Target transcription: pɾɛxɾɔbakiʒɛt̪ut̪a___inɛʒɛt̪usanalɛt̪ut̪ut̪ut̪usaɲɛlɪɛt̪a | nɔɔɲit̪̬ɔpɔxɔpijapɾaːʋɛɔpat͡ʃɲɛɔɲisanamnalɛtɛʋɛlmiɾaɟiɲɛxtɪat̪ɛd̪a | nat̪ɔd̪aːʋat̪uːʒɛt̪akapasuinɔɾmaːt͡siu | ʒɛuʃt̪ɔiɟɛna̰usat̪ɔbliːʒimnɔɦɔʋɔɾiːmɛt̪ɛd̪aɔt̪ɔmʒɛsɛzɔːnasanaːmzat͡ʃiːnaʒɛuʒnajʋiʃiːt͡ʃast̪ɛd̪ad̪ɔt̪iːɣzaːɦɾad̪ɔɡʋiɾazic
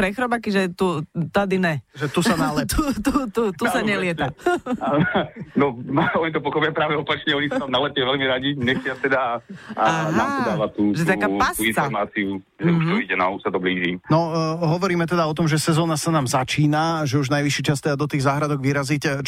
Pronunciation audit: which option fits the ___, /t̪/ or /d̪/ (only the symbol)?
d̪